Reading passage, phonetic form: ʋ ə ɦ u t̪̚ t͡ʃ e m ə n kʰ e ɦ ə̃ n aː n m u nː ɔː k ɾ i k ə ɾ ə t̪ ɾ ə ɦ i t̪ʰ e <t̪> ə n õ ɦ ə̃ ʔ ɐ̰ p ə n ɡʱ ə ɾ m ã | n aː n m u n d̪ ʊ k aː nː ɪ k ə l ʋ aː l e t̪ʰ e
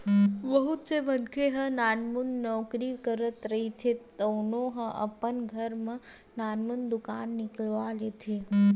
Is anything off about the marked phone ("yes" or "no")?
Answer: no